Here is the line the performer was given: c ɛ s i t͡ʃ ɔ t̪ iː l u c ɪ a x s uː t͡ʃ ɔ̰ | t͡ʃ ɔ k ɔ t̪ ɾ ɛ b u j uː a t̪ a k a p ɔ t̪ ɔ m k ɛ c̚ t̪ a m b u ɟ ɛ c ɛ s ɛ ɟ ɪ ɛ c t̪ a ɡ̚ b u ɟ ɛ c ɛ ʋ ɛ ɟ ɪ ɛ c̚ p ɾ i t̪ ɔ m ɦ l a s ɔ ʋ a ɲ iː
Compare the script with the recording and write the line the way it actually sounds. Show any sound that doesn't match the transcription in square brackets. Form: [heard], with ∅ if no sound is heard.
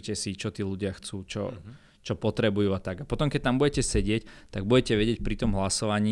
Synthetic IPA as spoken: c ɛ s i t͡ʃ ɔ t̪ iː l u [ɟ] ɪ a x [t͡s] uː t͡ʃ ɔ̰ | t͡ʃ ɔ [p] ɔ t̪ ɾ ɛ b u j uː a t̪ a [ɡ] a p ɔ t̪ ɔ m k ɛ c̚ t̪ a m b u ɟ ɛ c ɛ s ɛ ɟ ɪ ɛ c t̪ a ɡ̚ b u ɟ ɛ c ɛ ʋ ɛ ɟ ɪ ɛ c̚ p ɾ i t̪ ɔ m ɦ l a s ɔ ʋ a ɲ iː